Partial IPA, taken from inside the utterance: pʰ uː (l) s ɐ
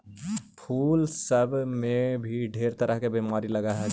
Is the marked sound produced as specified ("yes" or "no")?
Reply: yes